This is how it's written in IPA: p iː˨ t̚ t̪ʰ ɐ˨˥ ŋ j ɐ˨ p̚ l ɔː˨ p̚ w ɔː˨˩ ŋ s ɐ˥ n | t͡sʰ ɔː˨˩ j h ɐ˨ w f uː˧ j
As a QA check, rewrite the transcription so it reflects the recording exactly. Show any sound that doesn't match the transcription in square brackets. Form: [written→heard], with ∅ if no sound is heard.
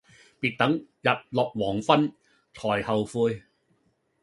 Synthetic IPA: p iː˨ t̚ [t̪ʰ→t̪] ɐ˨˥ ŋ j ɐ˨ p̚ l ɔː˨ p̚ w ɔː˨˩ ŋ [s→f] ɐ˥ n | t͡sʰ ɔː˨˩ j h ɐ˨ w f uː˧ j